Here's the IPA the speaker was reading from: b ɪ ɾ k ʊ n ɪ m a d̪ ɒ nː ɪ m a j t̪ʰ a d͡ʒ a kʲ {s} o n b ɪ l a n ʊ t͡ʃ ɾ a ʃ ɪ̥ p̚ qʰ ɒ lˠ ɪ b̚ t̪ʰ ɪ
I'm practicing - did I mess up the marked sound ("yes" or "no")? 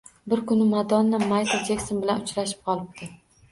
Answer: no